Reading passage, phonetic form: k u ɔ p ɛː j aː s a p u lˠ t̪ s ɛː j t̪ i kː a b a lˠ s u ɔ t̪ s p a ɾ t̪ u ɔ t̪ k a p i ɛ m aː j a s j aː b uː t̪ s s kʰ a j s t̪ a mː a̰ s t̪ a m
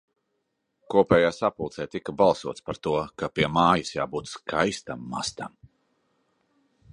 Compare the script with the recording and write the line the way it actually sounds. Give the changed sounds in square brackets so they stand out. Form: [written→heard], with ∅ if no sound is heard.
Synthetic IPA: k u ɔ p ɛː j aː s a p u lˠ t̪ s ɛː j t̪ i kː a b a lˠ s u ɔ t̪ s p a ɾ t̪ u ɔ [t̪→∅] k a p i ɛ m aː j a s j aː b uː t̪ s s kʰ a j s t̪ a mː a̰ s t̪ a m